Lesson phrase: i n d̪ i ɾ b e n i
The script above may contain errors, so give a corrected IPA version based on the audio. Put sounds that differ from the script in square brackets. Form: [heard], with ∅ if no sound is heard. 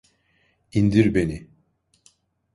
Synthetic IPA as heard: i n d̪ i ɾ b e n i